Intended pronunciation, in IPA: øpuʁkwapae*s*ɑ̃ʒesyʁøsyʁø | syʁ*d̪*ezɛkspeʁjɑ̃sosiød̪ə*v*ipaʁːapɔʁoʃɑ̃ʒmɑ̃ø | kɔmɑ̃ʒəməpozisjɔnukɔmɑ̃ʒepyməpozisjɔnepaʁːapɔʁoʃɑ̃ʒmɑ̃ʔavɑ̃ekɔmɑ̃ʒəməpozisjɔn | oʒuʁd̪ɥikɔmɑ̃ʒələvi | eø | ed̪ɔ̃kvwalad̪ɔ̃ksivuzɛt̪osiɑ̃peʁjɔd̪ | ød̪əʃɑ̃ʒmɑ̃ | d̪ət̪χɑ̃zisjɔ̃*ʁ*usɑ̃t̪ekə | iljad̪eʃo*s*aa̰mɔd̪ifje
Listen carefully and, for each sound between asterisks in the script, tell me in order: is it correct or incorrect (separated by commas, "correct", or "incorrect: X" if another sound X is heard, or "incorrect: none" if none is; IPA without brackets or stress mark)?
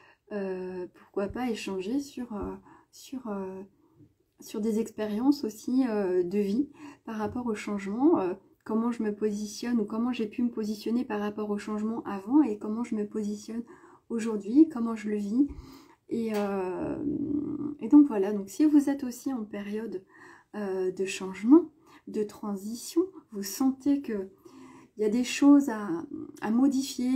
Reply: incorrect: ʃ, correct, correct, incorrect: v, incorrect: z